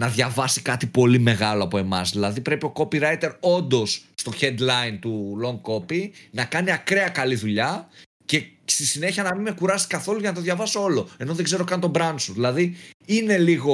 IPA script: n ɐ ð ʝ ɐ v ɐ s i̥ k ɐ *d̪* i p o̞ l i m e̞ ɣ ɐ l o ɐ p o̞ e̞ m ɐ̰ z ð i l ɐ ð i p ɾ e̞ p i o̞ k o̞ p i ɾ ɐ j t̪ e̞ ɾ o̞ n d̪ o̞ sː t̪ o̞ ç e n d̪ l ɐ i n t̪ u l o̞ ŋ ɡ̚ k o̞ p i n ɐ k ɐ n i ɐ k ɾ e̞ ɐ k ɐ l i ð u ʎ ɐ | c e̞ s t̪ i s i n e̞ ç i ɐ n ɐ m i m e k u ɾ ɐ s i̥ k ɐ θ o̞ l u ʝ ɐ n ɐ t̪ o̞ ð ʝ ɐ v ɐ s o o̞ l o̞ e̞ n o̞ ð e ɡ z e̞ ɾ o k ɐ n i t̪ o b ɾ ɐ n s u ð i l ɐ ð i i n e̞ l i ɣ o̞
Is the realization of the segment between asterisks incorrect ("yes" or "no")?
yes